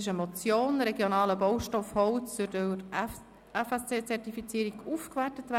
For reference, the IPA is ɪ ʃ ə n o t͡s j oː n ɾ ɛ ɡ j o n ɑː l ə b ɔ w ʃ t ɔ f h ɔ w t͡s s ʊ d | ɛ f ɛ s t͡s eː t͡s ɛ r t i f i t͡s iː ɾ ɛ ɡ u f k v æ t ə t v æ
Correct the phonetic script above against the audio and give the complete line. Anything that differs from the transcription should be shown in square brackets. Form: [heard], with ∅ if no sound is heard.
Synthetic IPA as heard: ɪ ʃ ə [m] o t͡s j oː n ɾ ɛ ɡ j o n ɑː l ə b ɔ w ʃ t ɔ f h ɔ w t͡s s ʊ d | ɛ f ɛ s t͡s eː t͡s ɛ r t i f i t͡s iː ɾ [i] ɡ u f k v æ t ə t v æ